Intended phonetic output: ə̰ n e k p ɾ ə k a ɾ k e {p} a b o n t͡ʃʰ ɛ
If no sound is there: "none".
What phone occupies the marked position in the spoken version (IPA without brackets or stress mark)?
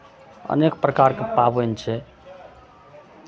p